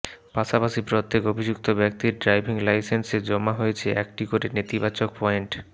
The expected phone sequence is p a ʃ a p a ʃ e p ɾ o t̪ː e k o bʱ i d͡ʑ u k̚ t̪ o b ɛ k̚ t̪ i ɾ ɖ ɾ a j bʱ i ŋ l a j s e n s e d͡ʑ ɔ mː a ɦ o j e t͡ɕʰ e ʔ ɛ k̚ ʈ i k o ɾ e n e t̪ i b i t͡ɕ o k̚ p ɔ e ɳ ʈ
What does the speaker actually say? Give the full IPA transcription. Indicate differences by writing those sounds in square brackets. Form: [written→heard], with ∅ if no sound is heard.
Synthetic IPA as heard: p a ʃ a p a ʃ [e→i] p ɾ o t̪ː e k o bʱ i d͡ʑ u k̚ t̪ o b ɛ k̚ t̪ i ɾ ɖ ɾ a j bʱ i ŋ l a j s e n s e d͡ʑ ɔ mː a ɦ o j e t͡ɕʰ e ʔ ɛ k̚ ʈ i k o ɾ e n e t̪ i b [i→a] t͡ɕ o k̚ p ɔ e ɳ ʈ